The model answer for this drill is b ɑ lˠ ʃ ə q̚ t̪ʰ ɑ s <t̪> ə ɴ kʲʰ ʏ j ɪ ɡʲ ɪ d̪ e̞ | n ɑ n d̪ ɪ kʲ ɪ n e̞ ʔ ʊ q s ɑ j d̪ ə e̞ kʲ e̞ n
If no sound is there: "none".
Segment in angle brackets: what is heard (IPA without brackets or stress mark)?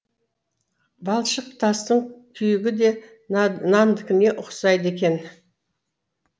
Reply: t̪